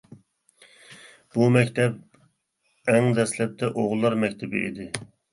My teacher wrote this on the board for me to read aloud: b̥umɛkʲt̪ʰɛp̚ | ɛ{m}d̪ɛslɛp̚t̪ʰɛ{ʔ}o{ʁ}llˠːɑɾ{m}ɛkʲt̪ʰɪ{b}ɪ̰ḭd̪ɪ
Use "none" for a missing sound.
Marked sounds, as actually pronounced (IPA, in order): ŋ, ʔ, ʁ, m, b

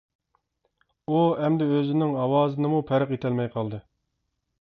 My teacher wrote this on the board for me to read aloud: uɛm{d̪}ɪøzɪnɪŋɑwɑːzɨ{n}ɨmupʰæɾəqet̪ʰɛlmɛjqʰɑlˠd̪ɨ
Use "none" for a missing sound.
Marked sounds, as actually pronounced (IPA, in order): d̪, n

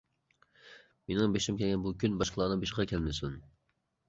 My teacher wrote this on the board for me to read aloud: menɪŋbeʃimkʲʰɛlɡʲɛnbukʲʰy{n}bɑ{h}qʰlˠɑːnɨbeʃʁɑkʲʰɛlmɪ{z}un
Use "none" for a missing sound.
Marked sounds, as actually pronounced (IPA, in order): n, ʃ, s

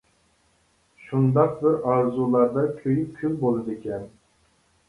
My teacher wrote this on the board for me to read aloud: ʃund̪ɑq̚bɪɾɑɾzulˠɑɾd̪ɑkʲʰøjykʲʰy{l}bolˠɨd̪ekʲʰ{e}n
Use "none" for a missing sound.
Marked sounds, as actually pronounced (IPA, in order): l, ɛ

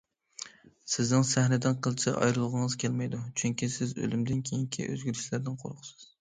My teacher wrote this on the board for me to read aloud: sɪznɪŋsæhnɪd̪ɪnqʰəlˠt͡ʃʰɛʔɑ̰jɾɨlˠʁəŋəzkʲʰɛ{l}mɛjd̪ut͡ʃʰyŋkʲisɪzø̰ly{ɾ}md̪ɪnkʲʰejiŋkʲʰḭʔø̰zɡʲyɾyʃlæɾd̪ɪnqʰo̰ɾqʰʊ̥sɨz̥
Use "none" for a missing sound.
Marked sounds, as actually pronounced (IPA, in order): l, none

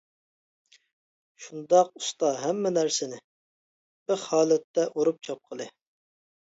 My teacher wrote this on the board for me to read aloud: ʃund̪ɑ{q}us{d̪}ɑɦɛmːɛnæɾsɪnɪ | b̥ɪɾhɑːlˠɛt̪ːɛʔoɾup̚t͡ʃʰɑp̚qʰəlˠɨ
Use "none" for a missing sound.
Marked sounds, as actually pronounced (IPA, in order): q, t̪

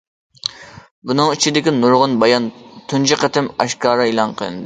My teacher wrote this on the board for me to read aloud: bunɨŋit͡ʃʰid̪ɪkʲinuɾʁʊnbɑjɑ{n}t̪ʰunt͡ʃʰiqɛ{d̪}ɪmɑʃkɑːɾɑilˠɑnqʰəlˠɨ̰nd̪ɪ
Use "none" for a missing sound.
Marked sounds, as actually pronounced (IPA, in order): n, t̪

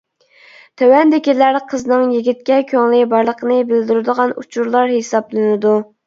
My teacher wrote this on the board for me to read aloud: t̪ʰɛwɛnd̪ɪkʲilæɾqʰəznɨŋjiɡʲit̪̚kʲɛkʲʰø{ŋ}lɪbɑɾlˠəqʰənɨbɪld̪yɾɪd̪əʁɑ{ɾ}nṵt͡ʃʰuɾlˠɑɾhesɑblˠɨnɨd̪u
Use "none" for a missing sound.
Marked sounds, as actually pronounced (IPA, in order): ŋ, none

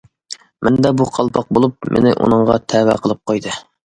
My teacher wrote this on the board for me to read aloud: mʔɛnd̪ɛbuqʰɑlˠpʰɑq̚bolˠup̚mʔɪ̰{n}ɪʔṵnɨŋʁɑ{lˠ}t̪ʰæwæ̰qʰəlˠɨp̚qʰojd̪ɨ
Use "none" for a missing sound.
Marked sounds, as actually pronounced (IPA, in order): n, none

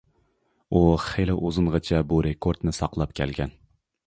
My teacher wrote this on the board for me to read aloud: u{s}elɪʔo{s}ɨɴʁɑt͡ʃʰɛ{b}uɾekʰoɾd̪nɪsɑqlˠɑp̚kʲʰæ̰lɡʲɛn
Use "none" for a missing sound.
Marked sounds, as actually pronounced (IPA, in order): χ, z, b

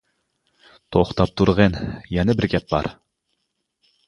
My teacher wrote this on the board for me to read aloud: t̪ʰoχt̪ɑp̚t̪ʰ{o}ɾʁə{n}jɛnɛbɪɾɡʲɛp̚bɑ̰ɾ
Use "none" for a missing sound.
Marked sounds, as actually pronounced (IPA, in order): u, n

